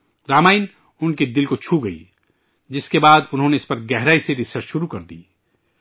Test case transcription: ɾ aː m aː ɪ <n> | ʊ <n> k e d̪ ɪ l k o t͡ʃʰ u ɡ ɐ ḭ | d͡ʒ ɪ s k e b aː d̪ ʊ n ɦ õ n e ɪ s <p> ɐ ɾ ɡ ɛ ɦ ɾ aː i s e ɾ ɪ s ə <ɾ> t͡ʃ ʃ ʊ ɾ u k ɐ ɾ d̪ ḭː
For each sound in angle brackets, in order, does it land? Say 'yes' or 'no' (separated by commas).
yes, yes, yes, yes